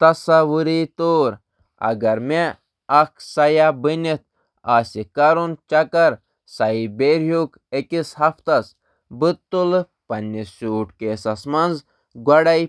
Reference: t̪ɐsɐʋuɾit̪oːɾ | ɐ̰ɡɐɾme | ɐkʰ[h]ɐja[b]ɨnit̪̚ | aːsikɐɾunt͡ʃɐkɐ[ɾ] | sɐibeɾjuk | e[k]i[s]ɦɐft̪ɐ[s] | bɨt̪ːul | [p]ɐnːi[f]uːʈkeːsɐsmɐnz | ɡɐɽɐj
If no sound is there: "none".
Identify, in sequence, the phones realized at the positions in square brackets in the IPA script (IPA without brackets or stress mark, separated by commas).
s, b, ɾ, k, s, s, p, s